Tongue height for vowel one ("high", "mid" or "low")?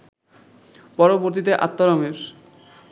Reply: mid